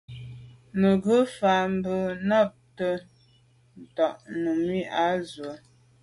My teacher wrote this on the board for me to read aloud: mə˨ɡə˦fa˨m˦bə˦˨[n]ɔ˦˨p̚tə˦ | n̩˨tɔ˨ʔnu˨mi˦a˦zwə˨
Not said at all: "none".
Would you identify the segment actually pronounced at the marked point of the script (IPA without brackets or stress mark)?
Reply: n